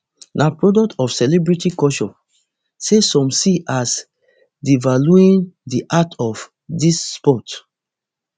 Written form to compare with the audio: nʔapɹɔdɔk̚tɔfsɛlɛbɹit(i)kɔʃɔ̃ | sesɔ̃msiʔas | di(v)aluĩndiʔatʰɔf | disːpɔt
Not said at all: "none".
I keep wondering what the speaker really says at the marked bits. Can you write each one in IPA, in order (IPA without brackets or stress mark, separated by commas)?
i, v